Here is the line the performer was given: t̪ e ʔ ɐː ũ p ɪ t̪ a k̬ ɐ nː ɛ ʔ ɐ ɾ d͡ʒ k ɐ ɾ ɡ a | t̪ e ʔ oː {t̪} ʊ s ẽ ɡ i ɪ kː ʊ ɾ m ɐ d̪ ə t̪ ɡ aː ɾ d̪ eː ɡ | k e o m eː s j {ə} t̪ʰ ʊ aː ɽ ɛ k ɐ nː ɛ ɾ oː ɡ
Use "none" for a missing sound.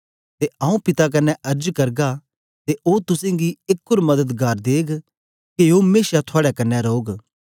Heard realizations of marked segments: t̪, a

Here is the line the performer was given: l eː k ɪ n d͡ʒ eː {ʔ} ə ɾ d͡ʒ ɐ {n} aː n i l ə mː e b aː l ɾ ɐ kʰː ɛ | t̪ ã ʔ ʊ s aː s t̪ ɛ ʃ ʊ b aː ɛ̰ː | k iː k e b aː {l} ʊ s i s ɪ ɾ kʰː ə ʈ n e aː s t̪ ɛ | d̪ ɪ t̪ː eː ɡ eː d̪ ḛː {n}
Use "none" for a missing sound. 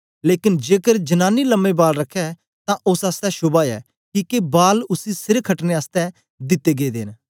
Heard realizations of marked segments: k, n, l, n

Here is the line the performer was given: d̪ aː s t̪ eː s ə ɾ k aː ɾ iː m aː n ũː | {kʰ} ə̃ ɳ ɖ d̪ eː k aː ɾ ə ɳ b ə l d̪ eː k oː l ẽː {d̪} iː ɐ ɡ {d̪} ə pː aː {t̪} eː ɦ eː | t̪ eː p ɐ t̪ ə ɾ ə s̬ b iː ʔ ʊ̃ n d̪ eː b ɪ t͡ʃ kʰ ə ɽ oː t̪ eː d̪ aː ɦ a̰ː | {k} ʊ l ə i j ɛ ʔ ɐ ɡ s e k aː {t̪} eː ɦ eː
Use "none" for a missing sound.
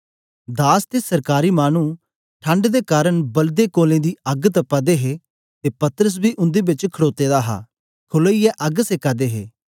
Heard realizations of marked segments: ʈʰ, d̪, t̪, d̪, kʰ, d̪

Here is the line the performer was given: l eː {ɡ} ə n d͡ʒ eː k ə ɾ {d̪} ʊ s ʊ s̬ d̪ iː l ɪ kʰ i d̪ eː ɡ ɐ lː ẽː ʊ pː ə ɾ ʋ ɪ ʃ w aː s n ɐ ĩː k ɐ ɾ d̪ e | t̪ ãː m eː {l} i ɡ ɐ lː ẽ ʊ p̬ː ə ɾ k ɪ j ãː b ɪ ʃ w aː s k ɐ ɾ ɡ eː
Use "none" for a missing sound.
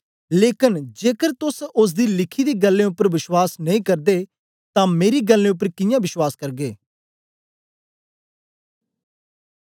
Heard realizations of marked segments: k, t̪, ɾ

